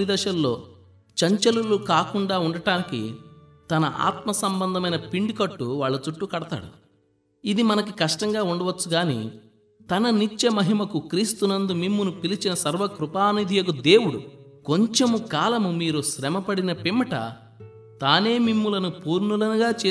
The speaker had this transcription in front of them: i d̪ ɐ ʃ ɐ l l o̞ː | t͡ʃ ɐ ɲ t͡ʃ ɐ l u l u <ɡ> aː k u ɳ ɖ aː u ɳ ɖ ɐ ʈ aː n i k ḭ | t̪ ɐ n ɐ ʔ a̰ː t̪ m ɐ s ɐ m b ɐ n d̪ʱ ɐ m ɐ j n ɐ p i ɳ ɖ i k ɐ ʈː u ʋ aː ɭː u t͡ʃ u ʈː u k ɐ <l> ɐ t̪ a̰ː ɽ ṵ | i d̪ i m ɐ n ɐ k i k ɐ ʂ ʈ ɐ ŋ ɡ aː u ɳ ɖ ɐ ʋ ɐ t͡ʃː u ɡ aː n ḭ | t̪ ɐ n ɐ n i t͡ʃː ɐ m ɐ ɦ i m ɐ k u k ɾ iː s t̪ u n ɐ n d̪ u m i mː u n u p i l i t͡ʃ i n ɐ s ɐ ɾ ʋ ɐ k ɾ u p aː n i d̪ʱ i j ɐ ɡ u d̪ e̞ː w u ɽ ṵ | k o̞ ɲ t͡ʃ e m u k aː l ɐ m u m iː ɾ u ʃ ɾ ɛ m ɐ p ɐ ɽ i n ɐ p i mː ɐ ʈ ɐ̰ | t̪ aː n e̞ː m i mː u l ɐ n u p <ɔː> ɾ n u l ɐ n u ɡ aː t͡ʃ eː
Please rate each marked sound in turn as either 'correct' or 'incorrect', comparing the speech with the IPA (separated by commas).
incorrect, incorrect, incorrect